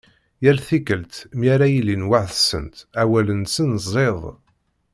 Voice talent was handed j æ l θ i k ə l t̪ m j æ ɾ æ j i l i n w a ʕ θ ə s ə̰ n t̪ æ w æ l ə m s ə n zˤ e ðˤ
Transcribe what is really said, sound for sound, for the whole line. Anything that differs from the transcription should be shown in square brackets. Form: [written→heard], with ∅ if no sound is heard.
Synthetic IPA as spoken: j æ l θ i k ə l t̪ m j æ ɾ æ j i l i n w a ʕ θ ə s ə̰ n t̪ æ w æ l ə [m→n] s ə n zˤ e ðˤ